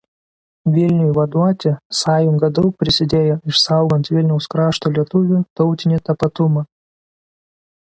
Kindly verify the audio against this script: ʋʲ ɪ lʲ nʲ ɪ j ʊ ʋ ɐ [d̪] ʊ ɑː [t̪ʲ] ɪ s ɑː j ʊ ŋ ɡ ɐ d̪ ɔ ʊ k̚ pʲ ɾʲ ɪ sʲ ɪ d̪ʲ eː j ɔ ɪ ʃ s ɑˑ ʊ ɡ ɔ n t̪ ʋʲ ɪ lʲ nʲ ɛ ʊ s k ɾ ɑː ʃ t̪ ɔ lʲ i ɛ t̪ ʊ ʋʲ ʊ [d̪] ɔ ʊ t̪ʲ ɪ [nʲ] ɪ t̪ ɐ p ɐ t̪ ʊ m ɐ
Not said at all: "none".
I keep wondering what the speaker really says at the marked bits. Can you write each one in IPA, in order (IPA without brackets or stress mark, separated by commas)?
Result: d̪, t̪ʲ, t̪, nʲ